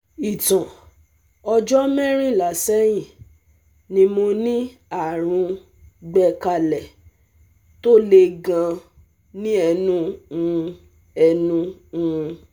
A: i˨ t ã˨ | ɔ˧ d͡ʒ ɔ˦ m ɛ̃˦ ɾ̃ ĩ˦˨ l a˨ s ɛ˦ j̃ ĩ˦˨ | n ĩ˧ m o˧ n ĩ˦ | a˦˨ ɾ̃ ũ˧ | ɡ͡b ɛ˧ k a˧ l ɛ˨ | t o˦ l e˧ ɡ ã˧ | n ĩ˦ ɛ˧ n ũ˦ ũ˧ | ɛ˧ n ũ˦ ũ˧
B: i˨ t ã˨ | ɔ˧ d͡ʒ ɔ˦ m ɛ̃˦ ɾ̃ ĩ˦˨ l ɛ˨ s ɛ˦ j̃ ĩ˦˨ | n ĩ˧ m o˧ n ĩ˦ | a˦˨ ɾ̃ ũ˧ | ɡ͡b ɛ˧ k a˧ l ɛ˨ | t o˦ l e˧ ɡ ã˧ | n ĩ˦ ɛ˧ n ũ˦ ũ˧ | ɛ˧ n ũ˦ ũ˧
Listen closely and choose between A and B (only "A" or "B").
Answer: A